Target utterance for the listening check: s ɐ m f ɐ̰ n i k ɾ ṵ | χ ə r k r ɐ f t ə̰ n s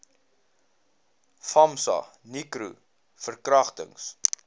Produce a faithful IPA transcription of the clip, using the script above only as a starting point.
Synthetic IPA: f ɐ m s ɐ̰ n i k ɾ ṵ | f ə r k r ɐ χ t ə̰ ŋ s